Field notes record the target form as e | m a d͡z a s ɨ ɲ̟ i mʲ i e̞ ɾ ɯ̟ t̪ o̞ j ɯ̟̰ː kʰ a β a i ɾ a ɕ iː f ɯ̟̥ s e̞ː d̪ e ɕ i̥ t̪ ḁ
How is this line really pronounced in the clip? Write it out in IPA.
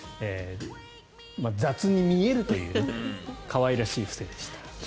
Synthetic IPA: e | m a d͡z a t͡s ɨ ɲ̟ i mʲ i e̞ ɾ ɯ̟ t̪ o̞ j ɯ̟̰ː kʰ a β a i ɾ a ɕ iː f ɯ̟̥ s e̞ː d̪ e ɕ i̥ t̪ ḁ